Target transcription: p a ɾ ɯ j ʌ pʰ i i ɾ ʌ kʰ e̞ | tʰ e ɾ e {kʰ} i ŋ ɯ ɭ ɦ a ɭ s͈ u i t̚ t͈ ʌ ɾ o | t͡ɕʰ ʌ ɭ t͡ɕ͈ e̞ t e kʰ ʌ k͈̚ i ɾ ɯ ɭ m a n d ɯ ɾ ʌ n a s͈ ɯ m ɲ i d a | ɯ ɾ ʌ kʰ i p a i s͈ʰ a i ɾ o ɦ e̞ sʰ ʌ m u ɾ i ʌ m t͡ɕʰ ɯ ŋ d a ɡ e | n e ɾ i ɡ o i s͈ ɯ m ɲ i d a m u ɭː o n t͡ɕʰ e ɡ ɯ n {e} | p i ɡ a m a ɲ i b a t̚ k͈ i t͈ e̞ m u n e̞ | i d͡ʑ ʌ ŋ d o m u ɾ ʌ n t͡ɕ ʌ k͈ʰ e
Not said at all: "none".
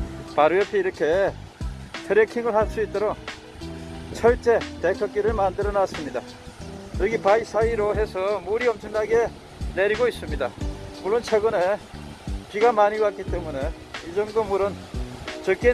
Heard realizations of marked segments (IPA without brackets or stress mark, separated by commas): kʰ, e